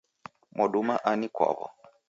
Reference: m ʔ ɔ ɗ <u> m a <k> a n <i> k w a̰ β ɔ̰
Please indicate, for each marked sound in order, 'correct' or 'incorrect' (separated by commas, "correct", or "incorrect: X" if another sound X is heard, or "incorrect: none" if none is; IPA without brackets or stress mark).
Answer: correct, incorrect: ʔ, correct